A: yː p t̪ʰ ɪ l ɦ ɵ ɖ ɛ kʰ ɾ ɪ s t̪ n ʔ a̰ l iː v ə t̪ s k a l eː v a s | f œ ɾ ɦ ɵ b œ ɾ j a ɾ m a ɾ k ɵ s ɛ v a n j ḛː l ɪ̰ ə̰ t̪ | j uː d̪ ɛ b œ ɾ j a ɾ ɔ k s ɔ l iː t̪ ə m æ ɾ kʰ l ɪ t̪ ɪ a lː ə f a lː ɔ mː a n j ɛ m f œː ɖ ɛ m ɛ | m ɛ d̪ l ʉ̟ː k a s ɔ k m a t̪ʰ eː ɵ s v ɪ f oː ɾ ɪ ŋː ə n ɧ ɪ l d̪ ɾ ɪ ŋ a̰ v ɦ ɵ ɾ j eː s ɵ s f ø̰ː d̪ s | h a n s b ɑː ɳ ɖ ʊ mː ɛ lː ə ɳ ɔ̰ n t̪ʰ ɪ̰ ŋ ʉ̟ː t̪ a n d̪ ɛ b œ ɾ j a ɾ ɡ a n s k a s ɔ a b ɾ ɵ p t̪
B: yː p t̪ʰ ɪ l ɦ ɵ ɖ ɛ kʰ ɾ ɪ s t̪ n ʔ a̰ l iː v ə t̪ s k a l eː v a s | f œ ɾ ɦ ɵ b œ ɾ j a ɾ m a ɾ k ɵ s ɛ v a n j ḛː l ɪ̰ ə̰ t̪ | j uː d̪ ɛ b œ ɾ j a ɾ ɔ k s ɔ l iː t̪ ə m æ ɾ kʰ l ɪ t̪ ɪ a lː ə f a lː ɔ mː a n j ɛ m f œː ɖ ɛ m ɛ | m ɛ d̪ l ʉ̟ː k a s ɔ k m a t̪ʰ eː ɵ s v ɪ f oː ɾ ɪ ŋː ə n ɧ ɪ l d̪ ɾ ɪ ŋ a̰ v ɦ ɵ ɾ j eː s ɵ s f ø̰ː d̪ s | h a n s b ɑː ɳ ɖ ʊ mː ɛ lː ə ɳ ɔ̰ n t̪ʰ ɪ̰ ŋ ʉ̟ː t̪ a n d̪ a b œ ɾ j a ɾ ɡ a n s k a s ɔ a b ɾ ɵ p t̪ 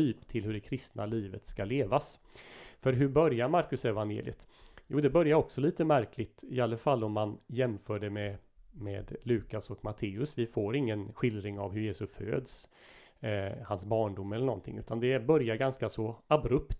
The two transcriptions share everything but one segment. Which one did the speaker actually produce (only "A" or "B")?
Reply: A